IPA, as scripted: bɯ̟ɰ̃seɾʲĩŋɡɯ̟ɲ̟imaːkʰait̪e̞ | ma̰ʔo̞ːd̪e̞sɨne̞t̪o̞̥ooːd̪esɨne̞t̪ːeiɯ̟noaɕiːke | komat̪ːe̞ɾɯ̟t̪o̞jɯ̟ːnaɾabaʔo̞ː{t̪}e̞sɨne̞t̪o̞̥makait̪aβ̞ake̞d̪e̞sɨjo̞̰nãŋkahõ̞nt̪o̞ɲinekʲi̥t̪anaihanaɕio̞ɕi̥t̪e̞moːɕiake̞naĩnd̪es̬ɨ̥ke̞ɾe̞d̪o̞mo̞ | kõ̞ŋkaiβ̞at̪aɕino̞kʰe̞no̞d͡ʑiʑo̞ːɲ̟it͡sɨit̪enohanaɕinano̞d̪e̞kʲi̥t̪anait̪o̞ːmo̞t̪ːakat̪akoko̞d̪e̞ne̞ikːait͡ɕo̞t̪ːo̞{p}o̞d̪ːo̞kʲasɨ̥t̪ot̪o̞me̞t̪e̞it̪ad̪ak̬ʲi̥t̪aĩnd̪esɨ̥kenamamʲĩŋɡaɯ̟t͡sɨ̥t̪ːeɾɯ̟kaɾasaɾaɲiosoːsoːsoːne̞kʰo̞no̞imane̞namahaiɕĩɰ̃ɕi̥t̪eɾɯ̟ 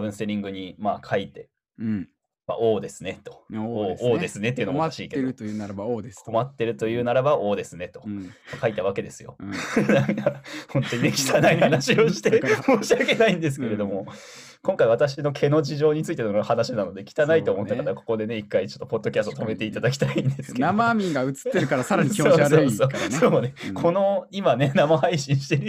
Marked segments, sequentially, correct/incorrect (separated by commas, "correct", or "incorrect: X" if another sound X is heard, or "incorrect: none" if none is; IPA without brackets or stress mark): incorrect: d̪, correct